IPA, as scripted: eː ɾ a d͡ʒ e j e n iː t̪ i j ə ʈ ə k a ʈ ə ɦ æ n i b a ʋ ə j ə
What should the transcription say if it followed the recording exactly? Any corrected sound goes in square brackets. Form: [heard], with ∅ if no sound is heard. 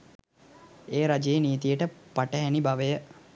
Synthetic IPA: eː ɾ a d͡ʒ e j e n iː t̪ i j ə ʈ ə [p] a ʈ ə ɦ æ n i b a ʋ ə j ə